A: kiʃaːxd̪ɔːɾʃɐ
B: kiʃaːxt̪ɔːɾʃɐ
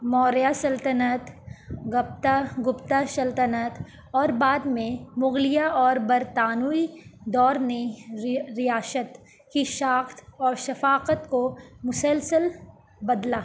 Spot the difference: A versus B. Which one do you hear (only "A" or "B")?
B